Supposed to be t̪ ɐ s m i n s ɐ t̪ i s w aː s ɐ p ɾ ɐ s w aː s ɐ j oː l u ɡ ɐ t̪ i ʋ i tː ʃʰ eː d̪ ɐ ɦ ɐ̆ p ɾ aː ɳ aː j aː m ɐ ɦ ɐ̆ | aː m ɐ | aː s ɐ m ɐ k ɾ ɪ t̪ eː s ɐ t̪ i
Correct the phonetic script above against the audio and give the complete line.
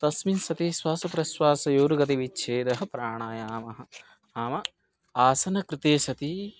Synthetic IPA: t̪ ɐ s m i n s ɐ t̪ i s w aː s ɐ p ɾ ɐ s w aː s ɐ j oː ɾ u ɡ ɐ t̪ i ʋ i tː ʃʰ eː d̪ ɐ ɦ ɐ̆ p ɾ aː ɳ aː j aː m ɐ ɦ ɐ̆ | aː m ɐ | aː s ɐ n ɐ k ɾ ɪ t̪ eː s ɐ t̪ i

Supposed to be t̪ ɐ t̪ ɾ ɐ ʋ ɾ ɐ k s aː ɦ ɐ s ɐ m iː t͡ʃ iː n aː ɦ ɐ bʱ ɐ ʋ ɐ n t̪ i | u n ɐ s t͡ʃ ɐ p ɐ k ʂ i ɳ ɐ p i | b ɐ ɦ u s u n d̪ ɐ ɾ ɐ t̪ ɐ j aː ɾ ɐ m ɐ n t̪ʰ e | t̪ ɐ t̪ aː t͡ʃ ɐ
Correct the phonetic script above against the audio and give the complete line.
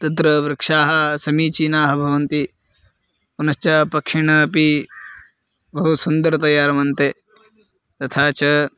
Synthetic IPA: t̪ ɐ t̪ ɾ ɐ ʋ ɾ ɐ k ʂ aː ɦ ɐ s ɐ m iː t͡ʃ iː n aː ɦ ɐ bʱ ɐ ʋ ɐ n t̪ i | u n ɐ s t͡ʃ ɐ p ɐ k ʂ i ɳ ɐ p i | b ɐ ɦ u s u n d̪ ɐ ɾ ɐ t̪ ɐ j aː ɾ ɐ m ɐ n t̪ e | t̪ ɐ t̪ʰ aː t͡ʃ ɐ

